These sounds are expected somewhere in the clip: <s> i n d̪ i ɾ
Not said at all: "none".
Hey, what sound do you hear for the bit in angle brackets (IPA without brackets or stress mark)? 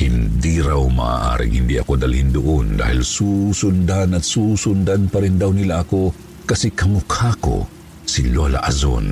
h